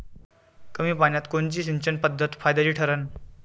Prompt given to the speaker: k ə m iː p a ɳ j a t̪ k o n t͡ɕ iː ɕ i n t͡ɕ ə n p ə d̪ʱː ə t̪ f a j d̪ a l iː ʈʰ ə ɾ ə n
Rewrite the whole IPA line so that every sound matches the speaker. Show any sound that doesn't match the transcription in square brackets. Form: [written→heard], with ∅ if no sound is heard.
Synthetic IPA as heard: k ə m iː p a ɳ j a t̪ k o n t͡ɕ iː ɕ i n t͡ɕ ə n p ə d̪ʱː ə t̪ f a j d̪ a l iː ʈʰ ə ɾ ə n